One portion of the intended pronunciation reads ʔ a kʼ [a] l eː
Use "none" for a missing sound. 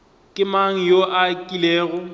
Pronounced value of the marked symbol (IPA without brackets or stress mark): i